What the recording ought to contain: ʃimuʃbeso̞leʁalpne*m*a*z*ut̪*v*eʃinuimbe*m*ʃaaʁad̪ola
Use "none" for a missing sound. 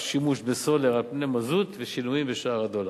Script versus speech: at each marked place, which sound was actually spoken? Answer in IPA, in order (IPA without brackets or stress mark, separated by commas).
m, z, v, none